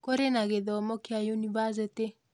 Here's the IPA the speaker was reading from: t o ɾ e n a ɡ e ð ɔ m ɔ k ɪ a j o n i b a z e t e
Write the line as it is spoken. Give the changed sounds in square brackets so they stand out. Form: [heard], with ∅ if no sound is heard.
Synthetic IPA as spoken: [k] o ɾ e n a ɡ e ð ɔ m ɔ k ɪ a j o n i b a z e t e